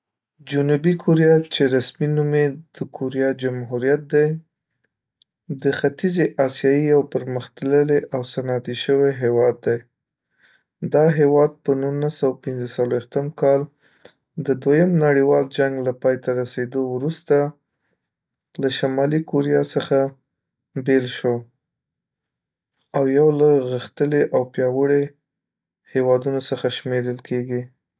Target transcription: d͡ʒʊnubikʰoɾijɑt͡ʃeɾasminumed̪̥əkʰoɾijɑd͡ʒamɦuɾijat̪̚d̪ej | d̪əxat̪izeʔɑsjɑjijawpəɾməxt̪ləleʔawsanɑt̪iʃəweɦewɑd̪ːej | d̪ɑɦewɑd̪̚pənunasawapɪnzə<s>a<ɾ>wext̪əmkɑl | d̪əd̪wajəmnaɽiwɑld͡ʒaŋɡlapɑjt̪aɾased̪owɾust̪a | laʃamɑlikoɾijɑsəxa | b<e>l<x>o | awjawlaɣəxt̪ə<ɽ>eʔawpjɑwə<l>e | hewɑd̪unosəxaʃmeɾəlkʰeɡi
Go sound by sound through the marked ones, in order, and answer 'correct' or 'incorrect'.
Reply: correct, incorrect: l, correct, incorrect: ʃ, incorrect: l, incorrect: ɽ

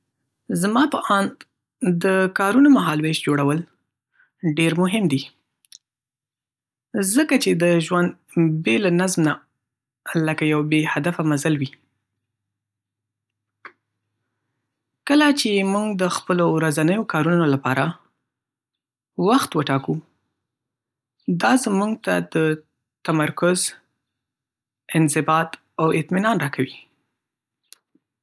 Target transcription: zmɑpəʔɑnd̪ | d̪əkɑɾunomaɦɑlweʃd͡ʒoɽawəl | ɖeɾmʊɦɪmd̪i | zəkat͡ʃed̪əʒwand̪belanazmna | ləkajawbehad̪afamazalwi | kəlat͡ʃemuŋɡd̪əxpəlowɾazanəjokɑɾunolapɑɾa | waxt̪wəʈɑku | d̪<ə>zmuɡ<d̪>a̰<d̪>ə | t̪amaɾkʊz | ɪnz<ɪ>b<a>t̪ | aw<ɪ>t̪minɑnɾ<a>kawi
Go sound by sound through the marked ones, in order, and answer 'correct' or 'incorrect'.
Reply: incorrect: ɑ, incorrect: t̪, correct, correct, incorrect: ɑ, correct, incorrect: ɑ

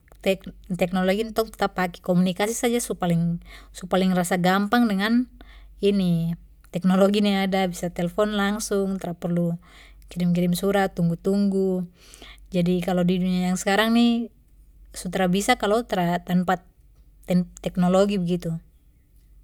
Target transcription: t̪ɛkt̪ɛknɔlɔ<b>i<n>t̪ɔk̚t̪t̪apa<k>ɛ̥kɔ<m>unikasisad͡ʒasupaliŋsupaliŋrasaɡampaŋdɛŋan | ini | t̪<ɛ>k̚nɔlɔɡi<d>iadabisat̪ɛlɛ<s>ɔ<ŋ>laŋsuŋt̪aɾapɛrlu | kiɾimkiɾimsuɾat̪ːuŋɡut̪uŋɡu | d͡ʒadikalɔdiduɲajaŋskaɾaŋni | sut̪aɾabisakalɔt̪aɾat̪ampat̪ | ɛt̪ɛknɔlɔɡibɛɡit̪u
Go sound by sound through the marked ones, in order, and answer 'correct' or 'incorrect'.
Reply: incorrect: ɡ, correct, correct, correct, correct, incorrect: n, incorrect: f, incorrect: n

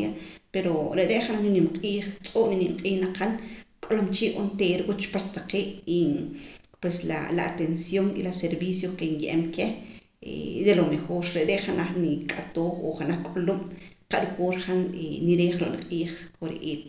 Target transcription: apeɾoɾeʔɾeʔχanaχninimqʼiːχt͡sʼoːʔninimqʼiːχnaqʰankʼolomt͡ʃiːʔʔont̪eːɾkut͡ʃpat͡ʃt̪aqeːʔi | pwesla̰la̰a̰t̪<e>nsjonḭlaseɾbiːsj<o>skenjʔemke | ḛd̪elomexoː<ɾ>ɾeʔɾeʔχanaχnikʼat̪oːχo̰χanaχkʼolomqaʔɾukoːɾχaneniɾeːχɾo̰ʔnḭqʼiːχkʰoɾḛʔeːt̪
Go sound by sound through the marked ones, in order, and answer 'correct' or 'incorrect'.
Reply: correct, correct, correct

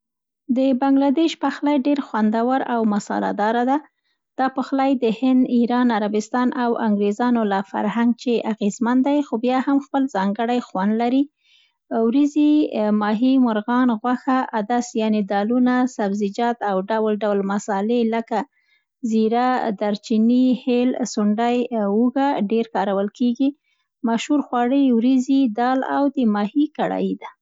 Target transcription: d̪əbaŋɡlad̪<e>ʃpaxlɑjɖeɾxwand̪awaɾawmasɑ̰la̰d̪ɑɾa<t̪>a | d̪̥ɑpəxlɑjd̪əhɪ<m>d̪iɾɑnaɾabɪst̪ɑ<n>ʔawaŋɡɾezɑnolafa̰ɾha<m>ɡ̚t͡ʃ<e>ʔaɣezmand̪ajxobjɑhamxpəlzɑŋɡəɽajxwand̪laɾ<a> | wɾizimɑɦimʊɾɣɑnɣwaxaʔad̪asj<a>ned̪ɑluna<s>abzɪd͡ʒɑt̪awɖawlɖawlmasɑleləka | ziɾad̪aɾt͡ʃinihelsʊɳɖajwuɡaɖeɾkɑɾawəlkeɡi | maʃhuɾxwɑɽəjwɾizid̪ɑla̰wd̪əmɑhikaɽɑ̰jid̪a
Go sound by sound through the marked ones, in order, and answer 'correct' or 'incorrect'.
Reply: correct, incorrect: d̪, incorrect: n, correct, incorrect: ŋ, correct, incorrect: i, incorrect: ɑ, correct

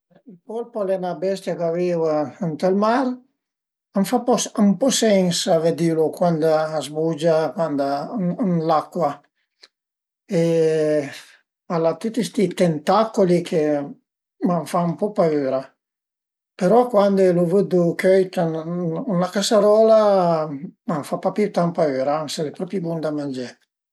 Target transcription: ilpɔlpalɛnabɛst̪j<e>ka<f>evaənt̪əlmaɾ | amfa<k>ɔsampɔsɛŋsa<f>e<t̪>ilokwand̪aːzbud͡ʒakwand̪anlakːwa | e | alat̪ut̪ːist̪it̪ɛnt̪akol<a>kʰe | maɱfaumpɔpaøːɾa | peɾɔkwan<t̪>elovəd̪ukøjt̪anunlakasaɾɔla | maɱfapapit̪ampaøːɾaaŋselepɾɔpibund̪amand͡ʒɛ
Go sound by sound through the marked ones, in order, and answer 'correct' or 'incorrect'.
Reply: incorrect: a, incorrect: v, incorrect: p, incorrect: v, incorrect: d̪, incorrect: i, incorrect: d̪

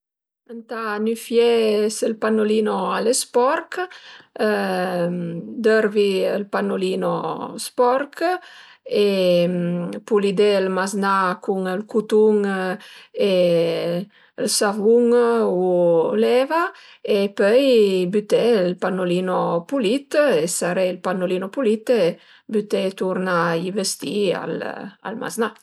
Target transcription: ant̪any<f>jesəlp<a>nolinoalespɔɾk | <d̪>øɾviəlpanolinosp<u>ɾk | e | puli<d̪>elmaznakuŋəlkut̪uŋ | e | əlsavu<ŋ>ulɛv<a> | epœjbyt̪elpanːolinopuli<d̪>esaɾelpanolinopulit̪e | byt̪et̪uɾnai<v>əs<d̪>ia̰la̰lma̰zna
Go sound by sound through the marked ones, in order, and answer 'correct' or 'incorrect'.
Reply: correct, correct, correct, incorrect: ɔ, correct, correct, correct, incorrect: t̪, correct, incorrect: t̪

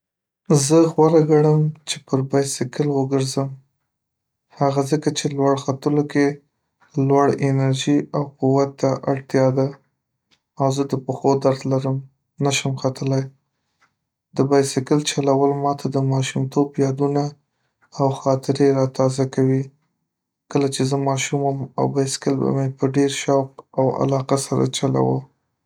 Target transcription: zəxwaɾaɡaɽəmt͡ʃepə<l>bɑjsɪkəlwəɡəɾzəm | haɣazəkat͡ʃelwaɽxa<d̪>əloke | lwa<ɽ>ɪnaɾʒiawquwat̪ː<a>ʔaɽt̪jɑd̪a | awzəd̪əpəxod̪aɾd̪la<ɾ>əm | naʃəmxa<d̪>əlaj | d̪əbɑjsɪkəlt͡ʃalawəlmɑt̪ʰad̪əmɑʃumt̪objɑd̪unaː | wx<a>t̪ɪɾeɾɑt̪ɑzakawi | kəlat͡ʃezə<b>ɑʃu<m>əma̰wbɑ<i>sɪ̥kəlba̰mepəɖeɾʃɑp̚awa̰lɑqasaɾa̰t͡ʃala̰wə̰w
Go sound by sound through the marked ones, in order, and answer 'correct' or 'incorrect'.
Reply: incorrect: ɾ, incorrect: t̪, correct, correct, correct, incorrect: t̪, incorrect: ɑ, incorrect: m, correct, incorrect: j

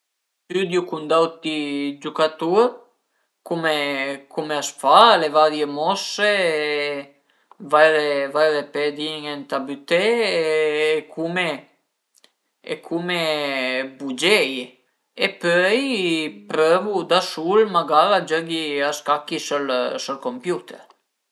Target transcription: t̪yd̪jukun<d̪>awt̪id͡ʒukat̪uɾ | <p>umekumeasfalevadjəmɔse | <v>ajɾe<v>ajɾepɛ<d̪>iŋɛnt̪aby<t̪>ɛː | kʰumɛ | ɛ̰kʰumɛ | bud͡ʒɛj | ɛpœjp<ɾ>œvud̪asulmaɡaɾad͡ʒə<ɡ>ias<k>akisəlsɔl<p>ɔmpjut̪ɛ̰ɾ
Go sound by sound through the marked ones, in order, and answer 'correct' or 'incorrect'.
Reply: correct, incorrect: k, correct, correct, correct, correct, correct, correct, correct, incorrect: k

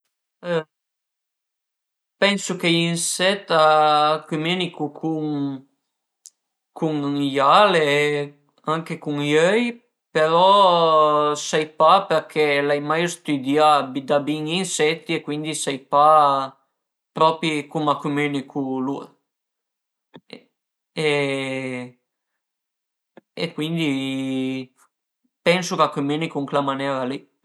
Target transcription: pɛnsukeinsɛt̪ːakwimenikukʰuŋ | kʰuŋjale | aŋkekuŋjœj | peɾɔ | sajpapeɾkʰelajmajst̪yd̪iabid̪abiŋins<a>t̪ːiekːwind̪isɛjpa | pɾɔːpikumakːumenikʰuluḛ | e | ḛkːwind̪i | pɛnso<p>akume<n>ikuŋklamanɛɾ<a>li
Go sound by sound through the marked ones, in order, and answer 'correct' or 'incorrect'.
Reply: incorrect: ɛ, incorrect: k, correct, correct

